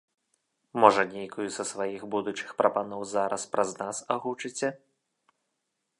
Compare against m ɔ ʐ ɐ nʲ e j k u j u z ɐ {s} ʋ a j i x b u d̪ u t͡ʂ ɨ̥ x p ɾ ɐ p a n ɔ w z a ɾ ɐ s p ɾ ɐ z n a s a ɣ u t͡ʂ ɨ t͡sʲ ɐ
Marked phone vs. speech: correct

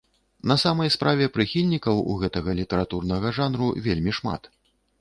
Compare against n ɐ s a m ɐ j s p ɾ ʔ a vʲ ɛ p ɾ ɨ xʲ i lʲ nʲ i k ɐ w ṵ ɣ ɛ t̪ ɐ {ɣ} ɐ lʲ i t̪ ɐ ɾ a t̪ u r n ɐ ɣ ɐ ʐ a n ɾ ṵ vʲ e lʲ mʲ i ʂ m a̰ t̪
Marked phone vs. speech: correct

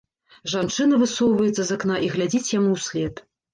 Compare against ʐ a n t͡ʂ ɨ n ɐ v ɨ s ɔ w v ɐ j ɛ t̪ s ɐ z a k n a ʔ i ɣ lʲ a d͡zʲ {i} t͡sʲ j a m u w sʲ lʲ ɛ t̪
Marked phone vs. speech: correct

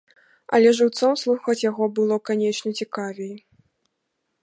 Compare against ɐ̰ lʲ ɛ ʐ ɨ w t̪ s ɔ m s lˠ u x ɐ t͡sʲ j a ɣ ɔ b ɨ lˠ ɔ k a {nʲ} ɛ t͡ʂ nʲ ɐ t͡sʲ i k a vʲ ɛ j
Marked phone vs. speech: correct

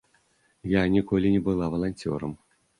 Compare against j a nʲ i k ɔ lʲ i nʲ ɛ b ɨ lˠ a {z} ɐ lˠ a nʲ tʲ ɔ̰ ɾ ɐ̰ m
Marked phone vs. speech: incorrect: v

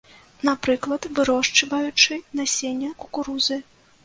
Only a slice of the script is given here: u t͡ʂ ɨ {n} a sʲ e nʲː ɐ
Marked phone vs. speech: correct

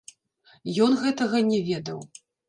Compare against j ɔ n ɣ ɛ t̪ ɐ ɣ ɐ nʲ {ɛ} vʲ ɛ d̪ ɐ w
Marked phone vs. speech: correct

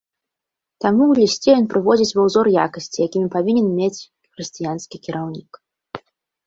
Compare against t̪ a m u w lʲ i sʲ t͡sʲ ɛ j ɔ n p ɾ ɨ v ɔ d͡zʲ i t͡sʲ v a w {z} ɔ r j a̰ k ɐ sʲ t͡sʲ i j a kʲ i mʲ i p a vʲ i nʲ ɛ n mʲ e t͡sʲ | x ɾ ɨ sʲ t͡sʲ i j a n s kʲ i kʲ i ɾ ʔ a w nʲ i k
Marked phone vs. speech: correct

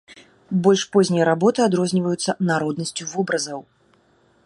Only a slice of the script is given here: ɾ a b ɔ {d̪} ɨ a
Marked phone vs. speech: incorrect: t̪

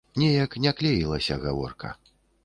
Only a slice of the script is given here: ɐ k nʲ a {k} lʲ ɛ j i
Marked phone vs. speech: correct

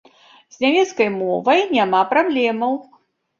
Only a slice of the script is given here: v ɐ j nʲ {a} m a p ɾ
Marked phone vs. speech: correct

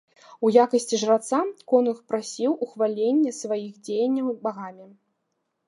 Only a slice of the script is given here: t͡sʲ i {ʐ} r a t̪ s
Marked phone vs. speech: correct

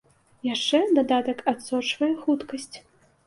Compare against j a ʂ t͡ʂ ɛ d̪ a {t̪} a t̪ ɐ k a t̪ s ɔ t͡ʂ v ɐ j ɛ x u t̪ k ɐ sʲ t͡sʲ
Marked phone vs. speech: incorrect: d̪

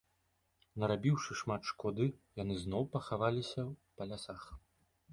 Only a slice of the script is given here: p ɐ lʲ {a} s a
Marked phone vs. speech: correct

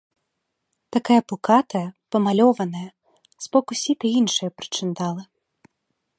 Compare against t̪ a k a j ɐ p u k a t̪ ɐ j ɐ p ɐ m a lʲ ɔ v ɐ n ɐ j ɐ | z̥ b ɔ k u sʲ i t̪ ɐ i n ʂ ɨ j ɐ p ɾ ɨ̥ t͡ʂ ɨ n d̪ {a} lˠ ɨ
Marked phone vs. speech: correct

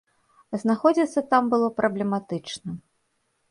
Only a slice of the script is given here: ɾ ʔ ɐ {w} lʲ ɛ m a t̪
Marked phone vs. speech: incorrect: b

